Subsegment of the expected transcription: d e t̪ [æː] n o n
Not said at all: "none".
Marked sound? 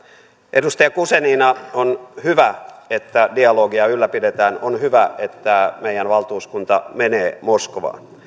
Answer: æː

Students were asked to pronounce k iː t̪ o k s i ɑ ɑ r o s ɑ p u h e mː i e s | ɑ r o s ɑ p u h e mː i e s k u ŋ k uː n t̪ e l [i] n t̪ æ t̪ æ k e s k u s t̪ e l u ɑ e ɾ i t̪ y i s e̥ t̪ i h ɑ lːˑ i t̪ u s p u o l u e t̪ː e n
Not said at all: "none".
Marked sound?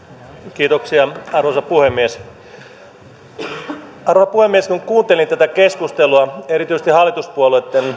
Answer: i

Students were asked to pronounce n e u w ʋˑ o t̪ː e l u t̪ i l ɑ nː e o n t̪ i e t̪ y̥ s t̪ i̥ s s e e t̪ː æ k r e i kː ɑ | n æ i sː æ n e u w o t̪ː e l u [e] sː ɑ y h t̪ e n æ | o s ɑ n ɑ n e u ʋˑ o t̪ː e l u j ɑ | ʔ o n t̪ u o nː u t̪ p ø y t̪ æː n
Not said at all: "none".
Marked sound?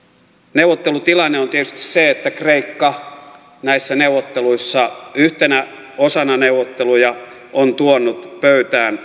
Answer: i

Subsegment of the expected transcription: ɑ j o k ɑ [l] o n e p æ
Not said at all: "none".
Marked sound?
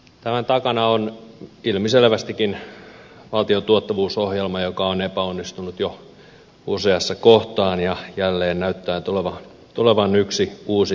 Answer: none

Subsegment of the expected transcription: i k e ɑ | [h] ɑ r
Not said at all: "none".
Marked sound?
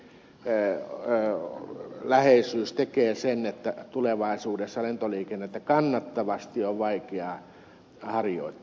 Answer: h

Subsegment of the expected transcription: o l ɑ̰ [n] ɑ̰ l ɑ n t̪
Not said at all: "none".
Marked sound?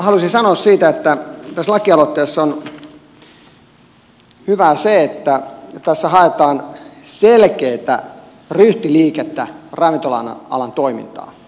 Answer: n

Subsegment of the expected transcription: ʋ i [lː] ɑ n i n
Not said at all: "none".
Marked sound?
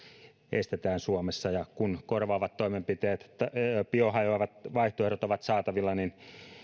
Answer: lː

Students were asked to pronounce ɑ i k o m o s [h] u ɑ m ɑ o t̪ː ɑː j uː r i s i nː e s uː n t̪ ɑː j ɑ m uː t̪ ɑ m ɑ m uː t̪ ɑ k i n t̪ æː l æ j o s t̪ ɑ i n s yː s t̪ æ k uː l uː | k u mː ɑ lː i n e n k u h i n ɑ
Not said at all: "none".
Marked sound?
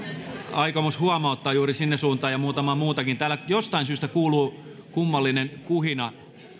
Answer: h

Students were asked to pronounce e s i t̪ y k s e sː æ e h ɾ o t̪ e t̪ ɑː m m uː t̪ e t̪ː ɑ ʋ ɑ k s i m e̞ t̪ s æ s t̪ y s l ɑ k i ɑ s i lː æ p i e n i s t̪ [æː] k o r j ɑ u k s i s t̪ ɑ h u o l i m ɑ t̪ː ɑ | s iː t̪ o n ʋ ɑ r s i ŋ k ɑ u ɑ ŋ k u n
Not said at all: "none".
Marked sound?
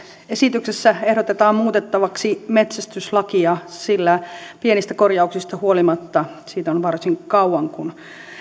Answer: æ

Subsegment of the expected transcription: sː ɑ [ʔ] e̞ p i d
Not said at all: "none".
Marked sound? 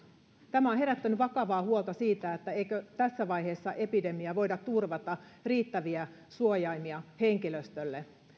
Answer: ʔ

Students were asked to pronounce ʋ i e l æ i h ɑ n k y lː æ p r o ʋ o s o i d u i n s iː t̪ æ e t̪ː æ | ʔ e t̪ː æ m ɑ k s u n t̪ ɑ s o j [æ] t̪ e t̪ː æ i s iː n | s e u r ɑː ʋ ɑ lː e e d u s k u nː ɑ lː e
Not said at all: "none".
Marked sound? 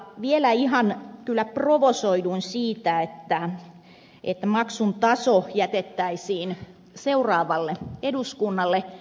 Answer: æ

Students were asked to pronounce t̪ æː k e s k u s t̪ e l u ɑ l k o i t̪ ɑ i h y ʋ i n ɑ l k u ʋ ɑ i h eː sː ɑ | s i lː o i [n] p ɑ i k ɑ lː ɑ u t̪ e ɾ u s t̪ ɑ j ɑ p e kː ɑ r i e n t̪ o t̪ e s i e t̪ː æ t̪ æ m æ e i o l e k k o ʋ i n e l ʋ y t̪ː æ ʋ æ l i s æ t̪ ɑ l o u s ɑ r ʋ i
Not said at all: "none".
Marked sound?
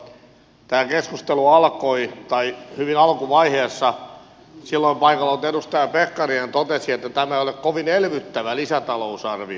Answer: m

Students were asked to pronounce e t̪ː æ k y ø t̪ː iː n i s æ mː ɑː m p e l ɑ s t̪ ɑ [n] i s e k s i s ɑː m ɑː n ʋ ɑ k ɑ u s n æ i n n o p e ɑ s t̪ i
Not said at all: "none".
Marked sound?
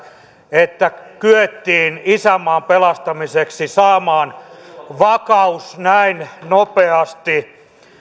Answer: m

